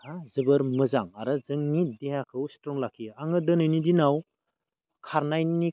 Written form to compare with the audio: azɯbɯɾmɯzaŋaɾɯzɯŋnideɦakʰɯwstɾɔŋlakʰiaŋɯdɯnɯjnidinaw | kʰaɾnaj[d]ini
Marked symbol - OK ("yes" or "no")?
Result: no